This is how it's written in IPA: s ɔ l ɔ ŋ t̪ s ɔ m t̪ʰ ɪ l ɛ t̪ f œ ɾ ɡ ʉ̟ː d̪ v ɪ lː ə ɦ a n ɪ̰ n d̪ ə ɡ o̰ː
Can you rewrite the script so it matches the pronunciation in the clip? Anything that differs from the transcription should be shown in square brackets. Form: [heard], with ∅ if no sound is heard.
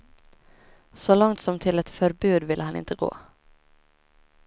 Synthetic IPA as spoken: s ɔ l ɔ ŋ t̪ s ɔ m t̪ʰ ɪ l ɛ t̪ f œ ɾ [b] ʉ̟ː d̪ v ɪ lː ə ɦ a n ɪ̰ n [t̪] ə ɡ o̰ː

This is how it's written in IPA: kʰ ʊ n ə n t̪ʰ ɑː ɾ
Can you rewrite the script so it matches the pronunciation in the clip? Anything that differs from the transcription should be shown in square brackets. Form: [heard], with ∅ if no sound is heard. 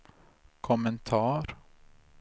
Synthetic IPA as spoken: kʰ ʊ [m] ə n t̪ʰ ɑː ɾ

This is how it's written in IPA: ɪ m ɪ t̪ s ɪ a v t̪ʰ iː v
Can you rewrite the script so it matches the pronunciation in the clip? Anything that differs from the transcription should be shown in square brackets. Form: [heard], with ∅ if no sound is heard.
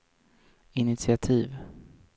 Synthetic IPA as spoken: ɪ [n] ɪ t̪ s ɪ a [∅] t̪ʰ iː v

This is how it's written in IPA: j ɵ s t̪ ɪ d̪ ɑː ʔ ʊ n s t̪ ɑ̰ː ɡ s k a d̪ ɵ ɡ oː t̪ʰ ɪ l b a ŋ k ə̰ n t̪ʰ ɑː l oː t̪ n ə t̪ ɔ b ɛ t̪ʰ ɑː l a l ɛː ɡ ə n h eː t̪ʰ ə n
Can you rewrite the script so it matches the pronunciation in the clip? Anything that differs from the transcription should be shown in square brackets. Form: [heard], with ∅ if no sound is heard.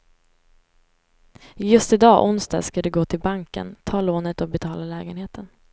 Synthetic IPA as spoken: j ɵ s t̪ ɪ d̪ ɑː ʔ ʊ n s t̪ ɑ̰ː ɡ s k a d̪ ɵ ɡ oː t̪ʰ ɪ l b a ŋ k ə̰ n t̪ʰ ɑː l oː [∅] n ə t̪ ɔ b ɛ t̪ʰ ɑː l a l ɛː ɡ ə n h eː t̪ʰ ə n

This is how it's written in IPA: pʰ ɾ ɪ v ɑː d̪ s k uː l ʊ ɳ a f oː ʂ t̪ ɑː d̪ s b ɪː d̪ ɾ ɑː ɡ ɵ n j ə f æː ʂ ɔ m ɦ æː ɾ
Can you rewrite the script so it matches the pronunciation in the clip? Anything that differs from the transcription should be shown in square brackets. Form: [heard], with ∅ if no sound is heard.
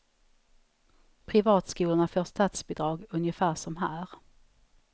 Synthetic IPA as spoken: pʰ ɾ ɪ v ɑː [t̪] s k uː l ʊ ɳ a f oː ʂ t̪ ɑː [t̪] s b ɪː d̪ ɾ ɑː ɡ ɵ n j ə f æː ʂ ɔ m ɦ æː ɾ

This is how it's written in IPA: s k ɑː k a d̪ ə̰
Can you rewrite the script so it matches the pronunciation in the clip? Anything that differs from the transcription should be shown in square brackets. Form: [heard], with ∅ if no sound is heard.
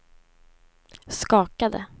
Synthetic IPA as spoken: s k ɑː k a d̪ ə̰

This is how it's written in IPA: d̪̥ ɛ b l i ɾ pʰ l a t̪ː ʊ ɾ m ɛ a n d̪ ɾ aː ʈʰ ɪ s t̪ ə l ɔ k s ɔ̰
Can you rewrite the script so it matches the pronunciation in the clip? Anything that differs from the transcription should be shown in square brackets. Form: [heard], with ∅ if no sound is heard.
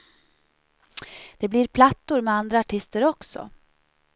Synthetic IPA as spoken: d̪̥ ɛ b l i ɾ pʰ l a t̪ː ʊ ɾ m ɛ a n d̪ ɾ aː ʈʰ ɪ s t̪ ə [ɾ] ɔ k s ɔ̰

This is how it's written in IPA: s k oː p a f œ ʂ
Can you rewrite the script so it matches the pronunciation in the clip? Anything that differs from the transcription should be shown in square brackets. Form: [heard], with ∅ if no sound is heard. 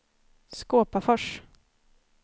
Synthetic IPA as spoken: s k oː p a f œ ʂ

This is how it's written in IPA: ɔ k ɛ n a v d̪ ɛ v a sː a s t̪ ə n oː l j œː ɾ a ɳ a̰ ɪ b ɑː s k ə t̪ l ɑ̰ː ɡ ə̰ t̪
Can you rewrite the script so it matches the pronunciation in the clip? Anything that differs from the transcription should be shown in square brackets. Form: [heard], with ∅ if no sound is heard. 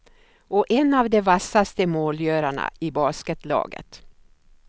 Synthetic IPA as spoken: ɔ [ʔ] ɛ n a v d̪ ɛ v a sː a s t̪ ə [m] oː l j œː ɾ a ɳ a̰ ɪ b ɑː s k ə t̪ l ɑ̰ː ɡ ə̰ t̪

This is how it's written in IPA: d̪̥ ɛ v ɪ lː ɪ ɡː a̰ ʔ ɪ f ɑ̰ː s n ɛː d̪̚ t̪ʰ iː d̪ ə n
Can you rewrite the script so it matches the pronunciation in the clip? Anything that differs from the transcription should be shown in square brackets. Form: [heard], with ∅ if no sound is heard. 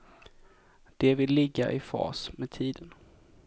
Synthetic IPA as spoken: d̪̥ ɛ v ɪ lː ɪ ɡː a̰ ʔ ɪ f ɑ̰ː s [m] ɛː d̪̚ t̪ʰ iː d̪ ə n

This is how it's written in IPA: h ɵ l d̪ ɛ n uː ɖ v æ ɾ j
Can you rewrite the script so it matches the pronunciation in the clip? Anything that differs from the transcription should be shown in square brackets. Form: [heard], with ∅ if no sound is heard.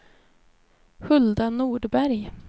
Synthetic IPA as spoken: h ɵ l d̪ [a] n uː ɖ [b] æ ɾ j

